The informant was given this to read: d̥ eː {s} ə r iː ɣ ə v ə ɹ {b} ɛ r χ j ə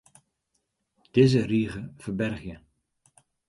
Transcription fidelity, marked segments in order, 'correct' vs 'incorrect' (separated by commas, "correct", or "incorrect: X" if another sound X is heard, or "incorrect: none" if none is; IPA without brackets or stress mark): incorrect: z, correct